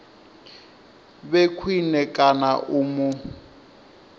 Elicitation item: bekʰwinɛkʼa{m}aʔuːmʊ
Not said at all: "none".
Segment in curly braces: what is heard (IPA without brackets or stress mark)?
n